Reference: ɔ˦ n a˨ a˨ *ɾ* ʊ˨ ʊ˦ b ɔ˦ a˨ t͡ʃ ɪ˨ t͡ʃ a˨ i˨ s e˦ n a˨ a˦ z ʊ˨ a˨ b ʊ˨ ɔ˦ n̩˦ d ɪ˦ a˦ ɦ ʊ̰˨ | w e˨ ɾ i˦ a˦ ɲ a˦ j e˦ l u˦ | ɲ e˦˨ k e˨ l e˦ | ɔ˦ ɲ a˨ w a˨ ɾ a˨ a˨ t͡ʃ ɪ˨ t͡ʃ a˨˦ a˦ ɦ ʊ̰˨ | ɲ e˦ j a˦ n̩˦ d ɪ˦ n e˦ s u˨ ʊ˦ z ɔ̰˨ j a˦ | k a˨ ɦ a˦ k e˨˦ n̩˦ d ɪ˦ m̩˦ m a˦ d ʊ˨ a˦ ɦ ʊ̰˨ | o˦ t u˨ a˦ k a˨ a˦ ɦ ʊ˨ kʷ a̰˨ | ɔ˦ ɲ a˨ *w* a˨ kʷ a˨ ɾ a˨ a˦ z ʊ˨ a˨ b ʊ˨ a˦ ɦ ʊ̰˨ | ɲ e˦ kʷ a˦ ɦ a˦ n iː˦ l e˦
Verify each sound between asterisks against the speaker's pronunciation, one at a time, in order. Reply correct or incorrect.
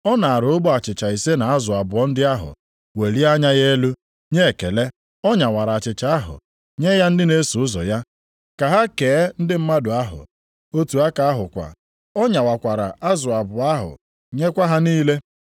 correct, correct

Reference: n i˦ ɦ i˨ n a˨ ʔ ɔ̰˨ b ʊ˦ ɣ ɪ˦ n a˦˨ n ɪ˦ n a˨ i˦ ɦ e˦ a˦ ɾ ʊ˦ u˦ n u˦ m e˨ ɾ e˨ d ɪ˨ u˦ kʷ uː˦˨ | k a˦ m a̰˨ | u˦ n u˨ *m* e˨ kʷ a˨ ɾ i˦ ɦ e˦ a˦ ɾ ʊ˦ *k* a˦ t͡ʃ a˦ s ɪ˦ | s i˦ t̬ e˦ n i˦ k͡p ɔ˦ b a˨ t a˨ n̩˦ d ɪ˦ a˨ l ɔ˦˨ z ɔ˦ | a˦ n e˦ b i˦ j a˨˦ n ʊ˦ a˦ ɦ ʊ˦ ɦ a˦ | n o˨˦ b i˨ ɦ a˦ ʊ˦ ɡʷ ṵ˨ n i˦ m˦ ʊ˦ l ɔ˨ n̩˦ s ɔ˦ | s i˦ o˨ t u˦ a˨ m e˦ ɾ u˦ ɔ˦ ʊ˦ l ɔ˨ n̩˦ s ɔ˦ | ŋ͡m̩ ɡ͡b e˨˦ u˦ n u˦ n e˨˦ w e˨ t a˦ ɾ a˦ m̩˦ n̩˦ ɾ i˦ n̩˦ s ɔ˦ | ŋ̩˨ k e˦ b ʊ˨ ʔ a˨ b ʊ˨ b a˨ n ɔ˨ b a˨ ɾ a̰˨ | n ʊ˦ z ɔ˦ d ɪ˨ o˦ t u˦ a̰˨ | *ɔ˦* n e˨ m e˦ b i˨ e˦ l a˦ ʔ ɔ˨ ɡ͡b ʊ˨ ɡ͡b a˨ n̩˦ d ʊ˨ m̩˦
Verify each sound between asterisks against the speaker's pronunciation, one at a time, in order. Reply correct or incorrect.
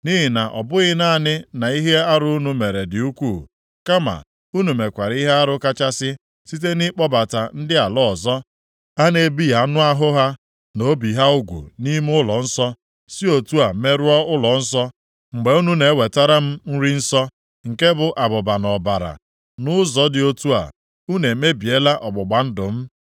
correct, correct, incorrect

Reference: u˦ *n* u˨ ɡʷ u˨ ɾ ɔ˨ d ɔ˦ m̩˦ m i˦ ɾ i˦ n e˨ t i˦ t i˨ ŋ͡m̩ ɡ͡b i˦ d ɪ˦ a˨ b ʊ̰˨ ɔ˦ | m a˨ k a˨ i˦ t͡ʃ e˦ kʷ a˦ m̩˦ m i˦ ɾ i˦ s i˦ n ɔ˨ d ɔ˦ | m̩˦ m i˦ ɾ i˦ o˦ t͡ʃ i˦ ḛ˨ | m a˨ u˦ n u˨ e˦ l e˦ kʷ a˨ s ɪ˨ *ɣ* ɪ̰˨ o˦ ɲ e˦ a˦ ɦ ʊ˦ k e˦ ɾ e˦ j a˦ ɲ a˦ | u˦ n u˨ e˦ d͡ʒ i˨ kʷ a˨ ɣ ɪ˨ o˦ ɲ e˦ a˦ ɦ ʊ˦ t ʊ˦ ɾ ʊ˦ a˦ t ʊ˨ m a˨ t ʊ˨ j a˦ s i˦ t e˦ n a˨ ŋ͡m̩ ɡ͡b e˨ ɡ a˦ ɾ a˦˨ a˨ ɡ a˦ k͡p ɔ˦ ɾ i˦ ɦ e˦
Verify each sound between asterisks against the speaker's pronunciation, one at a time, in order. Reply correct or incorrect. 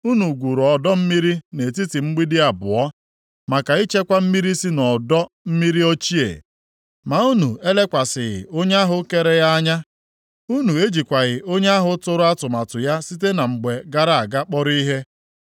correct, correct

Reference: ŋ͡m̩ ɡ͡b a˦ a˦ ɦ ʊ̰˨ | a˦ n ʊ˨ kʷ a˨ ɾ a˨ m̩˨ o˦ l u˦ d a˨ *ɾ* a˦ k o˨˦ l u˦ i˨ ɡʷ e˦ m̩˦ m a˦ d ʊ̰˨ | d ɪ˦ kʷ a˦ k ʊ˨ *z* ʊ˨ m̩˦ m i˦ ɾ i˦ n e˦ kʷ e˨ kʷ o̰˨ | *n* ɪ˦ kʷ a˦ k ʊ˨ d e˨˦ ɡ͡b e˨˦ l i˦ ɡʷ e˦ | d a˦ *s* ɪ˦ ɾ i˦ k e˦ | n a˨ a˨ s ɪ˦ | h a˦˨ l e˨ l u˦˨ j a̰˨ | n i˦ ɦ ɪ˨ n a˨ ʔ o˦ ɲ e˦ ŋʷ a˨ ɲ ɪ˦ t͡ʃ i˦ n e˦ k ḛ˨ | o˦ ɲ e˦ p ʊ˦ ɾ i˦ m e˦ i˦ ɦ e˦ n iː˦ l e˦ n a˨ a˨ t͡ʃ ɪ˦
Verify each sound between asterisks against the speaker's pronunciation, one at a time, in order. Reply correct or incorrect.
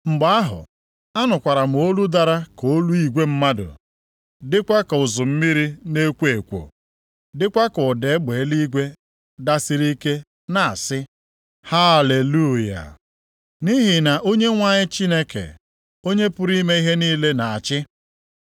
correct, correct, incorrect, correct

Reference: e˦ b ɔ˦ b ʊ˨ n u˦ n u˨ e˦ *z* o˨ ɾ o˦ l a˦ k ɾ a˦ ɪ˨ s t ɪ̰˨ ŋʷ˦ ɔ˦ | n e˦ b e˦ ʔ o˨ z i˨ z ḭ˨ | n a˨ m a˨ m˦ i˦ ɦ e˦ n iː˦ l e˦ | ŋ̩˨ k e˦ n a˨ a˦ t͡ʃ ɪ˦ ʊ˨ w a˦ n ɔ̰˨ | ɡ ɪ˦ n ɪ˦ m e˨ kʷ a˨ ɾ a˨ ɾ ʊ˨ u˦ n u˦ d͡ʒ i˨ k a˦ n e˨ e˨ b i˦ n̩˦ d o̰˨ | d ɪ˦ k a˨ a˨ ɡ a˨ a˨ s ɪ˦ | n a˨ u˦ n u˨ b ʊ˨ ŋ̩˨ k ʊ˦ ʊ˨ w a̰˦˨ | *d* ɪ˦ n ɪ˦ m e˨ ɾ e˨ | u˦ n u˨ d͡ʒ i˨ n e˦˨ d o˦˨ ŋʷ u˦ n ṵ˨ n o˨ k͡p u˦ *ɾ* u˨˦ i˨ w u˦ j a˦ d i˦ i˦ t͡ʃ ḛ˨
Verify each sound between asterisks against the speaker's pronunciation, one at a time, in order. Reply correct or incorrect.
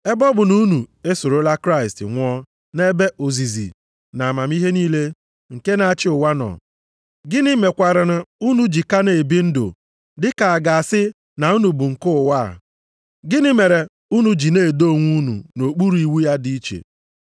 incorrect, incorrect, correct

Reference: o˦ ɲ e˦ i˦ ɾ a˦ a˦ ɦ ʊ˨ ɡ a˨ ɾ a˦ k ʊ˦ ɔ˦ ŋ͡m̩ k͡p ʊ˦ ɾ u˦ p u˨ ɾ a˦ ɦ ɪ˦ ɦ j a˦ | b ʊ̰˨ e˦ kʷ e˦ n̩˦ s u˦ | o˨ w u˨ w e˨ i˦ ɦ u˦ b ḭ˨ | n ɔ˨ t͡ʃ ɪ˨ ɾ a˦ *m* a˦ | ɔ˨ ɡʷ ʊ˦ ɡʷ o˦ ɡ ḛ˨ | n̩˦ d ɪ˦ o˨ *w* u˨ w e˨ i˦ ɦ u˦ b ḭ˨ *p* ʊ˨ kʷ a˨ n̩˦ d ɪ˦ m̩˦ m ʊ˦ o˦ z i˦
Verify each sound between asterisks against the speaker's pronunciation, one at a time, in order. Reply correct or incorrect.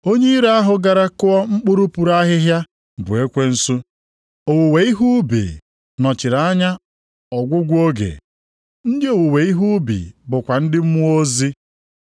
incorrect, correct, incorrect

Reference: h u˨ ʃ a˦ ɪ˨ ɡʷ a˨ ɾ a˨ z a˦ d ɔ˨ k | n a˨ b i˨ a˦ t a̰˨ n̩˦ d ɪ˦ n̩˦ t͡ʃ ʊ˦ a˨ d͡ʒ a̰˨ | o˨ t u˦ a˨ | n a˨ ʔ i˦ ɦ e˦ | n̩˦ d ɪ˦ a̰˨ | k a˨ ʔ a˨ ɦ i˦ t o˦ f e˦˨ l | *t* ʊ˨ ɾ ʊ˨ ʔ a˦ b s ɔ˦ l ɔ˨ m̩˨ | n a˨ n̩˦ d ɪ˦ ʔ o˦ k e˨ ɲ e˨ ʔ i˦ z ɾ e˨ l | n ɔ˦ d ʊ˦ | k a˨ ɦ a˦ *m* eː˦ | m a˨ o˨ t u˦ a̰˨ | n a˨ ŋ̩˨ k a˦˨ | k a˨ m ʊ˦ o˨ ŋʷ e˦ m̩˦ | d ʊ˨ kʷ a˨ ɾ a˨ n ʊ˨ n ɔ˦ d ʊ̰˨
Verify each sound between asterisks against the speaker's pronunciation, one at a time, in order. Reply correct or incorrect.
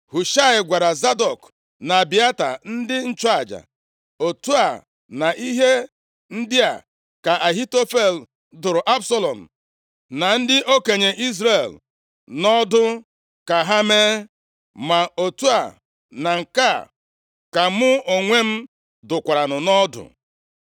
incorrect, correct

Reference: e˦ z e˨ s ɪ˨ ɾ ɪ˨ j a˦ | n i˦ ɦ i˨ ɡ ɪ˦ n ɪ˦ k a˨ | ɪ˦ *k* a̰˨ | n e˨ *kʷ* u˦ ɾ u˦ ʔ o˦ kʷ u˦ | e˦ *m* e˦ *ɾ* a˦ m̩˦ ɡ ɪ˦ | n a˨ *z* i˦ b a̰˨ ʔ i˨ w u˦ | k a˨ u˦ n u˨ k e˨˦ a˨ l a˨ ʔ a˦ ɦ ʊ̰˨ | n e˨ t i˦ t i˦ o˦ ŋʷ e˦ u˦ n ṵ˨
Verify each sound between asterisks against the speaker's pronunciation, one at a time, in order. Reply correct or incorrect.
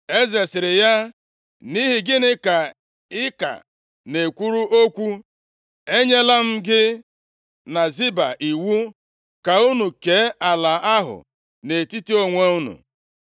correct, correct, incorrect, incorrect, correct

